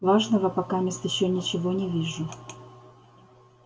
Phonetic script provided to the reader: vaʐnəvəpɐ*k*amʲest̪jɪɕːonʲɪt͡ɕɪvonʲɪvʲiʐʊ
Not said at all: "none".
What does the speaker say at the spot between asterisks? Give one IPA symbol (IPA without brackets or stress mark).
k